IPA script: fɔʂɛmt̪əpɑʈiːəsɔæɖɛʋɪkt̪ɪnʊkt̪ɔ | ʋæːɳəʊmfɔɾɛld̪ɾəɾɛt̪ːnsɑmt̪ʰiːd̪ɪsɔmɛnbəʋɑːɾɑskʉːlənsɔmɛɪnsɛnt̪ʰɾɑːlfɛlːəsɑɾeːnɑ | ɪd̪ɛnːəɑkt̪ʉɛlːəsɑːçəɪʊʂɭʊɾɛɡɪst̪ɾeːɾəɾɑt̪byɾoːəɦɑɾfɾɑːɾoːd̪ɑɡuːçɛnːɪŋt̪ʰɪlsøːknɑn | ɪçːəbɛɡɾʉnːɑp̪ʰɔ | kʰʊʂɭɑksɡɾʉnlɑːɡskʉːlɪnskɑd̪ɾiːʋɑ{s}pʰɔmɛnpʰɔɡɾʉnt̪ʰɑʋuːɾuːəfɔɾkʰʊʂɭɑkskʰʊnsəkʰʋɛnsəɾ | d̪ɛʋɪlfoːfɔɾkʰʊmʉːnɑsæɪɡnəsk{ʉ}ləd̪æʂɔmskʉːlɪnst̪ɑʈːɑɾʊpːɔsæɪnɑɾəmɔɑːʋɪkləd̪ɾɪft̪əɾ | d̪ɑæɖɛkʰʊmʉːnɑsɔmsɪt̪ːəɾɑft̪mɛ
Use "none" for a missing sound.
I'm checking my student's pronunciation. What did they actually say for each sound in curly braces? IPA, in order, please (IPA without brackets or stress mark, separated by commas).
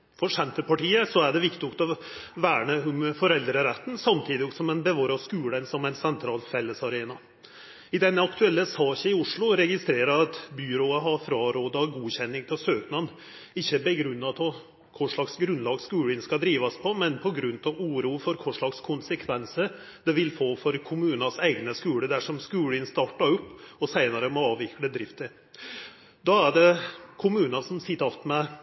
s, ʉː